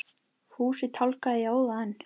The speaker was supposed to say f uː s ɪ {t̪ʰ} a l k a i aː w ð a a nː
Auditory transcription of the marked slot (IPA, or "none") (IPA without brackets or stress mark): t̪ʰ